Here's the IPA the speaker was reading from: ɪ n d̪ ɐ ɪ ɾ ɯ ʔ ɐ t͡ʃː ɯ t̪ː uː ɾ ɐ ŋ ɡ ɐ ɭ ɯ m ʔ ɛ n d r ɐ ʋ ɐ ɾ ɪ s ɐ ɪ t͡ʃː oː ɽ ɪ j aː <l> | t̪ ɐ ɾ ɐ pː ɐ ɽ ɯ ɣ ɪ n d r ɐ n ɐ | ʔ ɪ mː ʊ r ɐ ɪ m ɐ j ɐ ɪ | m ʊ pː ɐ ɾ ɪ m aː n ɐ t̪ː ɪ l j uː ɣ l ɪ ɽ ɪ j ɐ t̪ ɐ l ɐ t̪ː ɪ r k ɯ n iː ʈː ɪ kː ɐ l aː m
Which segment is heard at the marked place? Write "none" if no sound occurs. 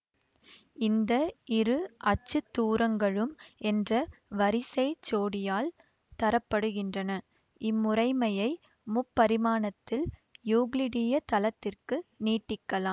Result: l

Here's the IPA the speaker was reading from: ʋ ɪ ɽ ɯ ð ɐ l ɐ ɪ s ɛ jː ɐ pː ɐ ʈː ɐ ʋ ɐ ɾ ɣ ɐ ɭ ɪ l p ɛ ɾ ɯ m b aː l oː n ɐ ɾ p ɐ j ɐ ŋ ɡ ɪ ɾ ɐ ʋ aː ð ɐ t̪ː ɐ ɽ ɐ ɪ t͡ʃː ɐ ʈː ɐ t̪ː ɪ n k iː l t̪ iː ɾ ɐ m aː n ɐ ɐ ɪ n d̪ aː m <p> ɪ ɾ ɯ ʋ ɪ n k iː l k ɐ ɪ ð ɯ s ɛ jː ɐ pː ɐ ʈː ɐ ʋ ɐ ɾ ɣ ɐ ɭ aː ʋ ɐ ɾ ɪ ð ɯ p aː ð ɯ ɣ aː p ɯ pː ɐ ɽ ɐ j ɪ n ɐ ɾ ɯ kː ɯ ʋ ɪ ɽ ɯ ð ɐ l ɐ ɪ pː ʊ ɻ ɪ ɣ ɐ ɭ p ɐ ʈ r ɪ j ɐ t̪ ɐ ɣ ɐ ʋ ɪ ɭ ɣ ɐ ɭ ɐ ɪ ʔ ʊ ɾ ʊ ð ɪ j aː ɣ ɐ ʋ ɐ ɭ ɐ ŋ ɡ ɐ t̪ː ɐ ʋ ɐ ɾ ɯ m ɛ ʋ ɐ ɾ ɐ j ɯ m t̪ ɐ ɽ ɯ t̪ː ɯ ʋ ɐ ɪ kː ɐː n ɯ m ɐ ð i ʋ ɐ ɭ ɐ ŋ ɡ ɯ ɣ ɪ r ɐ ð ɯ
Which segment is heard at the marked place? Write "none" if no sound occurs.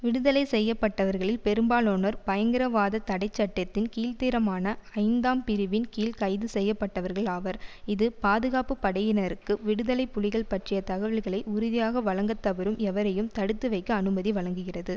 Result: p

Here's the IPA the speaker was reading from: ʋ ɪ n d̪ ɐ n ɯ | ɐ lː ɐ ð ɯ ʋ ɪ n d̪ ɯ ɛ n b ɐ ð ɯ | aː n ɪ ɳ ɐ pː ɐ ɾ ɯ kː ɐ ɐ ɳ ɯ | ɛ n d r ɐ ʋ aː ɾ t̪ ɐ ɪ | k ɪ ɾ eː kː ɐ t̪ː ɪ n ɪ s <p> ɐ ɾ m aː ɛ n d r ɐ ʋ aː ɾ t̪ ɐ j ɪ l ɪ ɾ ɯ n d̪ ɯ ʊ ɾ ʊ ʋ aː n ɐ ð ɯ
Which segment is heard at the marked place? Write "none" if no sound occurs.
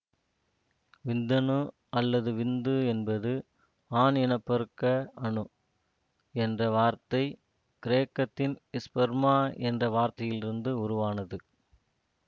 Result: p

